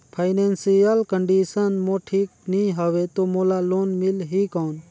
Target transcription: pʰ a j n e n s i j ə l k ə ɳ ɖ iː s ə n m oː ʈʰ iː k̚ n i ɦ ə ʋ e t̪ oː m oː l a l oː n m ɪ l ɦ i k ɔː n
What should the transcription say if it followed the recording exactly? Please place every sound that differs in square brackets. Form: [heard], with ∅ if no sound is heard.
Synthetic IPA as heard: pʰ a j n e n s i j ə l k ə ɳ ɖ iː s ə n m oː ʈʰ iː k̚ n i ɦ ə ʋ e t̪ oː m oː l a l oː n m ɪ l ɦ i k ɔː n